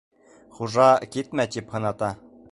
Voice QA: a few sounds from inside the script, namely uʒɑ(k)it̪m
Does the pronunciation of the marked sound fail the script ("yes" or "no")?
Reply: no